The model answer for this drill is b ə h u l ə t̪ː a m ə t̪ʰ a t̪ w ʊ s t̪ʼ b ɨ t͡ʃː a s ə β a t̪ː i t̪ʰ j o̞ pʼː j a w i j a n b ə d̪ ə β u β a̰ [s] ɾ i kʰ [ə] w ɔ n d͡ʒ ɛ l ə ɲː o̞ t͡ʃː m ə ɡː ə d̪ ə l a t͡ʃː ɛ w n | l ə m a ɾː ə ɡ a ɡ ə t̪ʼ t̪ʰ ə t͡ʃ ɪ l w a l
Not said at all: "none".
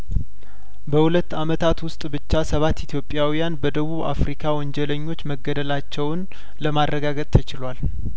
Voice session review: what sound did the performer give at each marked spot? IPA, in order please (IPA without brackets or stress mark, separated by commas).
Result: f, a